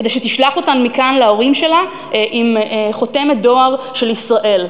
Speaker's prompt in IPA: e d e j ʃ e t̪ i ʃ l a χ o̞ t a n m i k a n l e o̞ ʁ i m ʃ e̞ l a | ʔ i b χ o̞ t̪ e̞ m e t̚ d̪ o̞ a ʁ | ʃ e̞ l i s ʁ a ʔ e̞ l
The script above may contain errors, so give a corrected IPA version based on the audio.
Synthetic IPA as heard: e d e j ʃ e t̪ i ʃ l a χ o̞ t a n m i k a n l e o̞ ʁ i m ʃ e̞ l a | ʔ i m χ o̞ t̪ e̞ m e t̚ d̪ o̞ a ʁ | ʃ e̞ l i s ʁ a ʔ e̞ l